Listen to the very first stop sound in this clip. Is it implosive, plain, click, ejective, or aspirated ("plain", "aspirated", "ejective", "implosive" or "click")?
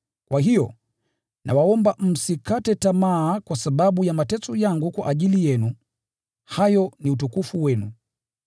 plain